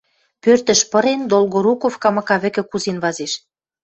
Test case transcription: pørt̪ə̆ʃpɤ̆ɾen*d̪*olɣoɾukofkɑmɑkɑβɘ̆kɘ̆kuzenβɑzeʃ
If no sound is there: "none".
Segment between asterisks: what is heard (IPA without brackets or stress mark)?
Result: d̪